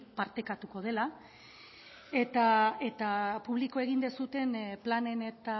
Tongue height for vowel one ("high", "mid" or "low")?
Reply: low